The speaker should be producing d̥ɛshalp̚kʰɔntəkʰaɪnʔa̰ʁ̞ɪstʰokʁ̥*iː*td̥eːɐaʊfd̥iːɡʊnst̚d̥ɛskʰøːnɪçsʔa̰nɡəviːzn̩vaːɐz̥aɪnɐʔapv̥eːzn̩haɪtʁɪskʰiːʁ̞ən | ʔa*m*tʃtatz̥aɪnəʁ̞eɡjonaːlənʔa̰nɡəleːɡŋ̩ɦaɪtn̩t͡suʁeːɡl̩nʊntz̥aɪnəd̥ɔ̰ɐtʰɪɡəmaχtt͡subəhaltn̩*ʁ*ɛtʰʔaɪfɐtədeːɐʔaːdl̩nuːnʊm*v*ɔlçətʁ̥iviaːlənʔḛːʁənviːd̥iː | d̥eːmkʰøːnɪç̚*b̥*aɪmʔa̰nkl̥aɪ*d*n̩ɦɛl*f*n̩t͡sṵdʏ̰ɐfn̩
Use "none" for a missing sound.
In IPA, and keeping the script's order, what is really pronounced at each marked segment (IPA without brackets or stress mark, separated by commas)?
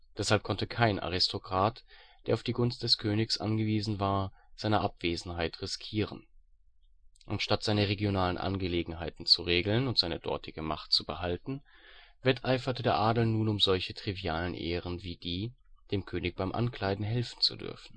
aː, n, v, z, b̥, d, f